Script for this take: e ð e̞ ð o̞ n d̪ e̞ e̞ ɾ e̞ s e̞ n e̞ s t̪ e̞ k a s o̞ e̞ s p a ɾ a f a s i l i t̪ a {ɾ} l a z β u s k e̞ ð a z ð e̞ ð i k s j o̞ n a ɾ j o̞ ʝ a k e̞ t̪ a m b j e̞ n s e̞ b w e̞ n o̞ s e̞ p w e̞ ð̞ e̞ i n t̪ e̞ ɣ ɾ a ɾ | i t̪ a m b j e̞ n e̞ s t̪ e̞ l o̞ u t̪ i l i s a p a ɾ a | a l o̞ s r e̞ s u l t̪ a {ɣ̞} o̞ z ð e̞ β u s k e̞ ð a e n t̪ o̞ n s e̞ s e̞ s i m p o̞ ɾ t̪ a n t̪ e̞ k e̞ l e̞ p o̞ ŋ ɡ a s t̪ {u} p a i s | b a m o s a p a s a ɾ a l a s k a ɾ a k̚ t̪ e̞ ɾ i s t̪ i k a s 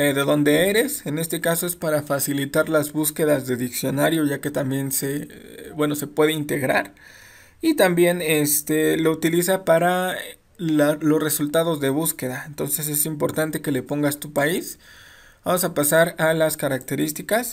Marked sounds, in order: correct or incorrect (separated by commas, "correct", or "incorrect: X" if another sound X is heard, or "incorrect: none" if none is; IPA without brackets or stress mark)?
correct, incorrect: ð̞, correct